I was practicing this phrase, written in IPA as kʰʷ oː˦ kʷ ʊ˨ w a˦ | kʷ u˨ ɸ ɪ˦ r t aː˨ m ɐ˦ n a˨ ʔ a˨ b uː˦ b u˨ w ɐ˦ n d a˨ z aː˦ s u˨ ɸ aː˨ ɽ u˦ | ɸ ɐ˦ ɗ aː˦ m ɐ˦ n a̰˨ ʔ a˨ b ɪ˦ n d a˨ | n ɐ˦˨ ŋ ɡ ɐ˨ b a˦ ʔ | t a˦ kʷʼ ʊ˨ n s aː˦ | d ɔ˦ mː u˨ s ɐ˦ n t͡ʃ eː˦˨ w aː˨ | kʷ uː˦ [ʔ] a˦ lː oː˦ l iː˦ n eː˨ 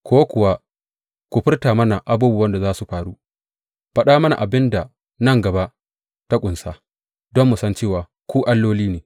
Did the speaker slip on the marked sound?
no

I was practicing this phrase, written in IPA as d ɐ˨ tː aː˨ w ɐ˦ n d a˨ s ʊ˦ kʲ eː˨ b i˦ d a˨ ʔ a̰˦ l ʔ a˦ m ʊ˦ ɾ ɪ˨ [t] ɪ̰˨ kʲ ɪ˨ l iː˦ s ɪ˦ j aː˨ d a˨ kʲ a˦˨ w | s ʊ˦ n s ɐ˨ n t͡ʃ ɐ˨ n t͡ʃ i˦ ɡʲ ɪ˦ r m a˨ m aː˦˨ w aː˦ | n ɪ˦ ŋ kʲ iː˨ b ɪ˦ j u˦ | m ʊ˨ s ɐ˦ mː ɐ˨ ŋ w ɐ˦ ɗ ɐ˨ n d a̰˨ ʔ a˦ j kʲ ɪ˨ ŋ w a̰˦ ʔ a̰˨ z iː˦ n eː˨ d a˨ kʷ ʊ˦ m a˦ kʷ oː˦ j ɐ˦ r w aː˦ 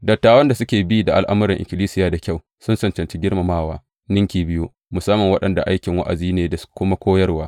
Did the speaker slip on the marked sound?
yes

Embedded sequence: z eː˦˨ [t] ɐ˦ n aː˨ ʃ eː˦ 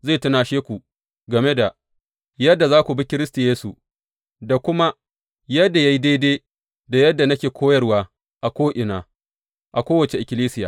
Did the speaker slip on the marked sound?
no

